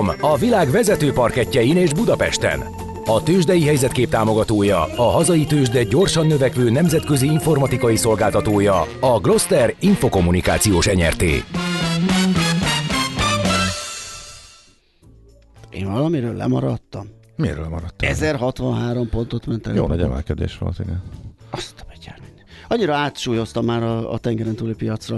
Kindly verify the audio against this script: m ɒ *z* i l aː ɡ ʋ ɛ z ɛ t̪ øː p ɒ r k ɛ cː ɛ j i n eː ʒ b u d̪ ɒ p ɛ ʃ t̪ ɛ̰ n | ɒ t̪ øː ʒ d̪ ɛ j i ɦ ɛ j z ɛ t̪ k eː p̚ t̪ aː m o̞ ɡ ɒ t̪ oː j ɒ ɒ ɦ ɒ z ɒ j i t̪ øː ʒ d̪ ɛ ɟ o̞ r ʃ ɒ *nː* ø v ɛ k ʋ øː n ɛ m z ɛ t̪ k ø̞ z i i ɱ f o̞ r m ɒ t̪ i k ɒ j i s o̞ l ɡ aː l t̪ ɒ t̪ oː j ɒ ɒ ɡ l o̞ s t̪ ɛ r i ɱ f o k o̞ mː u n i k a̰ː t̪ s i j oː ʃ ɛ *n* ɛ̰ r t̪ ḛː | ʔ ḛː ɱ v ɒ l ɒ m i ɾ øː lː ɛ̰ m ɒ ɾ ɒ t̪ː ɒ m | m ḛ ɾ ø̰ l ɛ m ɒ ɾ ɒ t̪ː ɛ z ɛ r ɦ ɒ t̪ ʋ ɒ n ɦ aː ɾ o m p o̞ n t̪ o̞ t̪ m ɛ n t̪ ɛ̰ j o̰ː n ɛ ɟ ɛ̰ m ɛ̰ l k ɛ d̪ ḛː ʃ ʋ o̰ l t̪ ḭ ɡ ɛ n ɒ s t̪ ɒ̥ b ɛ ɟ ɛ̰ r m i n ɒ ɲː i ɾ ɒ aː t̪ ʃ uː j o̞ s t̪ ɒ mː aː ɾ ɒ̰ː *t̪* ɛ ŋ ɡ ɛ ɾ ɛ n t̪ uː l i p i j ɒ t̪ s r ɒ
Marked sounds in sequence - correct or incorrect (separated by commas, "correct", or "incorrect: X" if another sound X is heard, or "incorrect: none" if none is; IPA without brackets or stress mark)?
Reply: incorrect: v, correct, incorrect: ɲ, correct